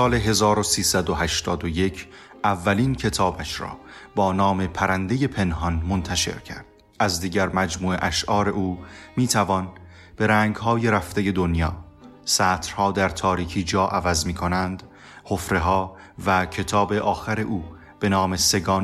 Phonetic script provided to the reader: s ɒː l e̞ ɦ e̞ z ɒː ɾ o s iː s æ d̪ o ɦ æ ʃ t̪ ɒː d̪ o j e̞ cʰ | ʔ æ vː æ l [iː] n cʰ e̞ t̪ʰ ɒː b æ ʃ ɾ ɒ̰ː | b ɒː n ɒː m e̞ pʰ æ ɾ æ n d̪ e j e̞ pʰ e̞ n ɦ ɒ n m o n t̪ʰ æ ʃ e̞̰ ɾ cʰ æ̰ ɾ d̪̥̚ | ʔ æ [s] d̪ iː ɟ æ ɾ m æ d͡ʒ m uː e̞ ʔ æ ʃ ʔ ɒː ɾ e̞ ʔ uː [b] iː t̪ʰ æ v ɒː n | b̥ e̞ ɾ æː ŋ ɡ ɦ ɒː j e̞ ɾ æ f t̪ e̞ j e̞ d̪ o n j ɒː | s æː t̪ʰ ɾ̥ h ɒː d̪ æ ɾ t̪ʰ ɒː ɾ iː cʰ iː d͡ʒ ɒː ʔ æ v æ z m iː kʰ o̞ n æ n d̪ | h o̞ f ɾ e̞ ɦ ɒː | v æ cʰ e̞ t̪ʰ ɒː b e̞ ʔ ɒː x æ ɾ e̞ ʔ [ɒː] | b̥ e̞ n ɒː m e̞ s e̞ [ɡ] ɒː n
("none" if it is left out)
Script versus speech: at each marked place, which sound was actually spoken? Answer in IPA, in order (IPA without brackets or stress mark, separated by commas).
iː, z, m, uː, ɡ